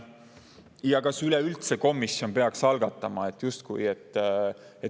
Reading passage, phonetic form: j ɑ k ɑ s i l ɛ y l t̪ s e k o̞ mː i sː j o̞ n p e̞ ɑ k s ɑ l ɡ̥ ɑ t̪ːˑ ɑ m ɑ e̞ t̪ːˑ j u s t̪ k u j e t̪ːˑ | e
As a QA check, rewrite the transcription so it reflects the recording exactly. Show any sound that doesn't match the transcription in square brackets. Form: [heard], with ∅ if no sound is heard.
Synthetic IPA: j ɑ k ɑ s [y] l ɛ y l t̪ s e k o̞ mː i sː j o̞ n p e̞ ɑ k s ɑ l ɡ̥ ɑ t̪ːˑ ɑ m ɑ e̞ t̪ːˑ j u s t̪ k u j e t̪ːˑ | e